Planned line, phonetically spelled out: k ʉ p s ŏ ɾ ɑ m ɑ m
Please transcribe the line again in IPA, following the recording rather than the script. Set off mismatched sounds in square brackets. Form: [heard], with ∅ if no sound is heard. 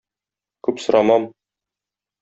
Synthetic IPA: k ʉ p s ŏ ɾ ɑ m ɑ m